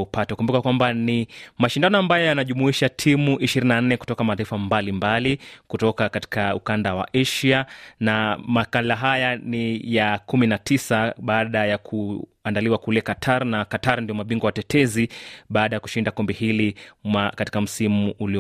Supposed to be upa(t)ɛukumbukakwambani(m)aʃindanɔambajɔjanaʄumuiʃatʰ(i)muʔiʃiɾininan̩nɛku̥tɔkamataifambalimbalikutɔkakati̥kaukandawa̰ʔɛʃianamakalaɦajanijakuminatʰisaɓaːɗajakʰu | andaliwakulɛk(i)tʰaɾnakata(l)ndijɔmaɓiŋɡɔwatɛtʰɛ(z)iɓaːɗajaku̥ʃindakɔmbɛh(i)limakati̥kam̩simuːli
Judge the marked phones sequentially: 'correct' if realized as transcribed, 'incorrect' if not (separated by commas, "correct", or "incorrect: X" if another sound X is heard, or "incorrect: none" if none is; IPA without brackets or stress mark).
correct, correct, correct, incorrect: a, incorrect: ɾ, correct, correct